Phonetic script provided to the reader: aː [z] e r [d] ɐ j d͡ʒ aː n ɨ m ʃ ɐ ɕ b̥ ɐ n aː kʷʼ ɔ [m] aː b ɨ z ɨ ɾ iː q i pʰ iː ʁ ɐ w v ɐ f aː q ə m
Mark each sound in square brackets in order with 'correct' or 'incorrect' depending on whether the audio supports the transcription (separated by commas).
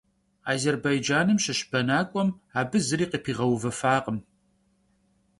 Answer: correct, incorrect, correct